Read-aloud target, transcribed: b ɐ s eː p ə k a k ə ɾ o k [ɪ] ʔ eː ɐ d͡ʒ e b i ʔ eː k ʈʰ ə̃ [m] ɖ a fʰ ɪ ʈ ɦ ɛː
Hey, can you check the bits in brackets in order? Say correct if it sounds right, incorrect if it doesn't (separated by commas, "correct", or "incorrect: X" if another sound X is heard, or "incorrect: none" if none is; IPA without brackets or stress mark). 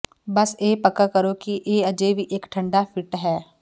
incorrect: i, incorrect: ɳ